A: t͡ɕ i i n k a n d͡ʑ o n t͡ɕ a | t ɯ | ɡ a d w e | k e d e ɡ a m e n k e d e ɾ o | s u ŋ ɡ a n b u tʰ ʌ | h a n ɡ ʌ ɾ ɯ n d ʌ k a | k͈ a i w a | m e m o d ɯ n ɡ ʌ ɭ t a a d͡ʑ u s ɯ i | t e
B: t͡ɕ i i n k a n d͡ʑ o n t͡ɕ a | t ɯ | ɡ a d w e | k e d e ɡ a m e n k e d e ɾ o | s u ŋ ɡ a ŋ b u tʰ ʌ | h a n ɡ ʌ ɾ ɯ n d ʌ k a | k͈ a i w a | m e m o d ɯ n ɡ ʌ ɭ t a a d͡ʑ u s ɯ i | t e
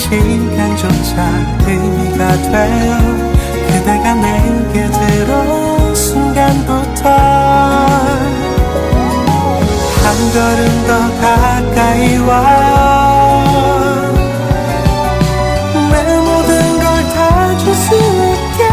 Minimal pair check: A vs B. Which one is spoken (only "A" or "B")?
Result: A